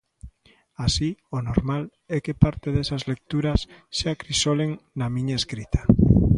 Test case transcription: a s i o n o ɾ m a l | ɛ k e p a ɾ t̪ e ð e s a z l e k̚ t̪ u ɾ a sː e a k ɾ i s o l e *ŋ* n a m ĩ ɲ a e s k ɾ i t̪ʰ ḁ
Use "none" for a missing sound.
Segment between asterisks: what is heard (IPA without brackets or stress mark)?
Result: ŋ